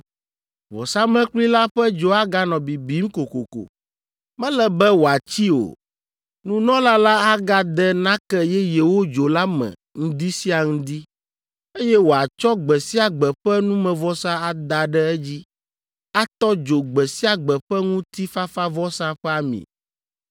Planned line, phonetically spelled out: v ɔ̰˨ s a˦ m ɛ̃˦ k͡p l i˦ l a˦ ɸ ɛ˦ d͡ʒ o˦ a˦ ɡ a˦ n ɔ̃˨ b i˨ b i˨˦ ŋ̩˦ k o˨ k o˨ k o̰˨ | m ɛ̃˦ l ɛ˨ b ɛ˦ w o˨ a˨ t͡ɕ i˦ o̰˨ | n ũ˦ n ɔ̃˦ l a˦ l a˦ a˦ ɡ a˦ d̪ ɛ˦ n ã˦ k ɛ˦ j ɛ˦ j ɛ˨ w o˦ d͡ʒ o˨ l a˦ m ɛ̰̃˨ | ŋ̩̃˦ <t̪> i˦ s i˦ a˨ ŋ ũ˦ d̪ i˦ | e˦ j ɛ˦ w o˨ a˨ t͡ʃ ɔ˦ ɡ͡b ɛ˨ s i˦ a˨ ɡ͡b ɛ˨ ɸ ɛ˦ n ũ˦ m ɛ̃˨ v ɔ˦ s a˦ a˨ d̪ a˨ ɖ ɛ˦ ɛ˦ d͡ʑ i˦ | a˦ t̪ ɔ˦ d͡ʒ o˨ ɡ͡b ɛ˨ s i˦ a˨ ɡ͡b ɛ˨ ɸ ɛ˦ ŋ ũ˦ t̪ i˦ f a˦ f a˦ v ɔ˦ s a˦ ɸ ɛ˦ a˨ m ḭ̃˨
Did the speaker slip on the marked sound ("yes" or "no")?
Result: yes